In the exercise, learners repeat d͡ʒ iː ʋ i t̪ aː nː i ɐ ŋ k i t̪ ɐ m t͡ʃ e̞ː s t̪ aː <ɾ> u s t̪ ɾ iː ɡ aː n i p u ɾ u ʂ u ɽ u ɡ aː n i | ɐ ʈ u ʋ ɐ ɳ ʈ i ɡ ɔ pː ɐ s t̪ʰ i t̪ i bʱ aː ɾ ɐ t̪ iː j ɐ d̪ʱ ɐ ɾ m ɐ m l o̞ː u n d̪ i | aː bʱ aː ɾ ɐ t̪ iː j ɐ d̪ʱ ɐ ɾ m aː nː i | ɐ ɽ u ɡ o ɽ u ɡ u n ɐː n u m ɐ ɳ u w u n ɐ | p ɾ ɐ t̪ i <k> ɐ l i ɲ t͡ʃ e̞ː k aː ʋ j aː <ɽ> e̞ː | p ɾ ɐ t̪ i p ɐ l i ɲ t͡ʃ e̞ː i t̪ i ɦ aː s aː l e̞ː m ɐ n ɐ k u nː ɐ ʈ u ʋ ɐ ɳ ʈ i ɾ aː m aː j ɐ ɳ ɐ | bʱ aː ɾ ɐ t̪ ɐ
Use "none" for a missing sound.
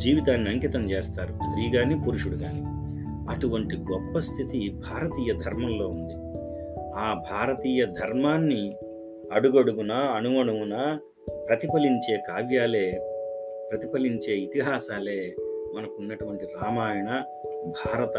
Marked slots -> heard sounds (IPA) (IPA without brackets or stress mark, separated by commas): ɾ, p, l